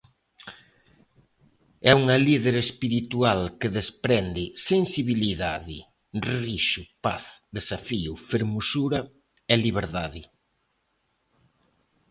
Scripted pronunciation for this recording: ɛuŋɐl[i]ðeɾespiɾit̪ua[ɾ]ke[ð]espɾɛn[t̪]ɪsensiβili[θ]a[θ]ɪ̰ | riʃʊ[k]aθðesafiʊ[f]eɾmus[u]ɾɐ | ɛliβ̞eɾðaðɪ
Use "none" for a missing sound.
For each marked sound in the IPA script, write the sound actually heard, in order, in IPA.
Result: i, l, ð, d̪, ð, ð, p, f, u

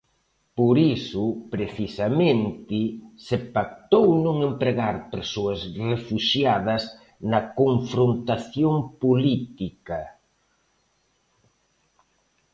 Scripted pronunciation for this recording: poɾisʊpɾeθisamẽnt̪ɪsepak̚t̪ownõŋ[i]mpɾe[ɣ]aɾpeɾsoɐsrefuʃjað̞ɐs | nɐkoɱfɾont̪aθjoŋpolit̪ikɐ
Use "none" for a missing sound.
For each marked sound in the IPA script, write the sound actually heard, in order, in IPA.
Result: e, ɣ

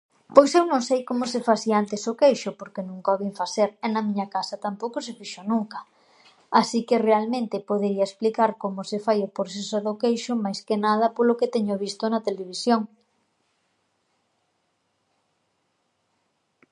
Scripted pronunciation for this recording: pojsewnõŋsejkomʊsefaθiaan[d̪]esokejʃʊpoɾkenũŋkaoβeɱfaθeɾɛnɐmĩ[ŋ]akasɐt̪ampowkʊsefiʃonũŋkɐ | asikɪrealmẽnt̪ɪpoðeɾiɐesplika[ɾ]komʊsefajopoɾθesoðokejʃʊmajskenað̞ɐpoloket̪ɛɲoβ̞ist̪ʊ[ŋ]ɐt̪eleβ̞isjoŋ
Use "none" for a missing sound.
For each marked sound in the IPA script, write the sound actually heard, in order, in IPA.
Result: t̪, ɲ, ɾ, n

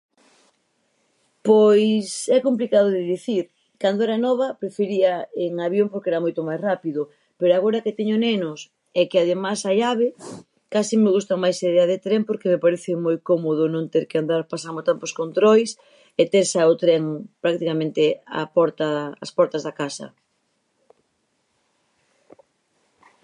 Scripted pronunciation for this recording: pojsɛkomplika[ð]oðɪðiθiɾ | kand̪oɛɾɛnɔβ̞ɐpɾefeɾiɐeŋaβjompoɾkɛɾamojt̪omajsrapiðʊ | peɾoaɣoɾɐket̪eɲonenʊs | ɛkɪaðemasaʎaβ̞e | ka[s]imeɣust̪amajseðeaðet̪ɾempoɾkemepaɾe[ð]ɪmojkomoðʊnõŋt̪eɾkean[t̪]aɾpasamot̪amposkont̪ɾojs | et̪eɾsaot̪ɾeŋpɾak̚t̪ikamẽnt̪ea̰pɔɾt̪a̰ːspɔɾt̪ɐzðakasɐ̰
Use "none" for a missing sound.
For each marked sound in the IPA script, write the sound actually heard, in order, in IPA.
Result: ð, s, θ, d̪

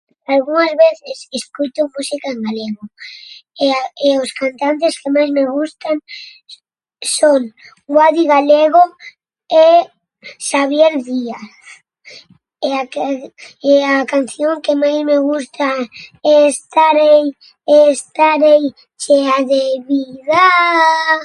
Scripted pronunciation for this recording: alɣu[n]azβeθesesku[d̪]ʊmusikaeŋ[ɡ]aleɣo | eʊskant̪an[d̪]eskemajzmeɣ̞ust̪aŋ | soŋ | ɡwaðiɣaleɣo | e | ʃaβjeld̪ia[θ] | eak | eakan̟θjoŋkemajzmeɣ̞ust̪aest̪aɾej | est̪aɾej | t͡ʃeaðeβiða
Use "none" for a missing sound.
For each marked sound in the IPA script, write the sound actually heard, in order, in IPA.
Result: ŋ, t̪, ɡ, t̪, θ

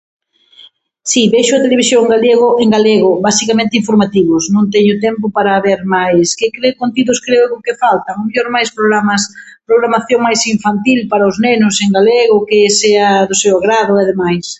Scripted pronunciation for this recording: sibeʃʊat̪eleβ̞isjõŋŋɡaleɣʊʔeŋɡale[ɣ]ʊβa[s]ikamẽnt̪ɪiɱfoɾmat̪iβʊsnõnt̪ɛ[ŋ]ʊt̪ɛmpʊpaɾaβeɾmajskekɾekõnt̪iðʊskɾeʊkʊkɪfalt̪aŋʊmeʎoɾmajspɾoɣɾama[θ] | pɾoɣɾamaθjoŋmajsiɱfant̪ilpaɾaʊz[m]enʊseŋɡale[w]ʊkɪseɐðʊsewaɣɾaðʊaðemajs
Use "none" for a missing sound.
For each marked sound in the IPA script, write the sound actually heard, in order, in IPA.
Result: ɣ, s, ɲ, s, n, ɣ

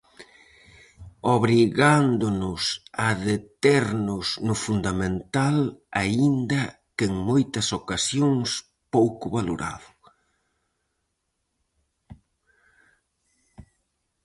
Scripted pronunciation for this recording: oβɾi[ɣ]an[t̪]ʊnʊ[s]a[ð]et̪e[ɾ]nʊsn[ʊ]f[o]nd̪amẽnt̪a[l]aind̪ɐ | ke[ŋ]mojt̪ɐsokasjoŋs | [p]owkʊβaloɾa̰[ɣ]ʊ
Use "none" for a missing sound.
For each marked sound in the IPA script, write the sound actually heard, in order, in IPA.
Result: ɣ, d̪, s, ð, ɾ, ʊ, u, l, ŋ, p, ð

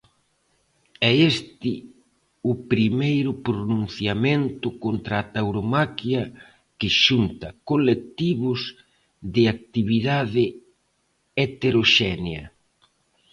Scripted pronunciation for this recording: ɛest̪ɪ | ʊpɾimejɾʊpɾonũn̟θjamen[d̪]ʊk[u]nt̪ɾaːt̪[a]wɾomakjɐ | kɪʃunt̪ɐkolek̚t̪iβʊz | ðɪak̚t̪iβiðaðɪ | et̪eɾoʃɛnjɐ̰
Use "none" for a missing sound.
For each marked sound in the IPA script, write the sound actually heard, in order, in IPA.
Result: t̪, o, a

